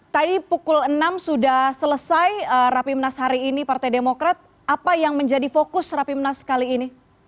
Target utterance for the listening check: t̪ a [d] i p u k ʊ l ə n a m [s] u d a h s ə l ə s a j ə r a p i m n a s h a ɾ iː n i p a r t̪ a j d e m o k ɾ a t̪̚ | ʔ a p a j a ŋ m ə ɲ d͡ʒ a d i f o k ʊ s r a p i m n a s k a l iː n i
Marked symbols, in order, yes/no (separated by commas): yes, yes